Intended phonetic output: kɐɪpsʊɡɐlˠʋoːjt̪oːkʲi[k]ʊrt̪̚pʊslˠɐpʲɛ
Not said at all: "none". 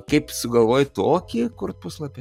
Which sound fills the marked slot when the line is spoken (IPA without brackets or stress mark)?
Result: k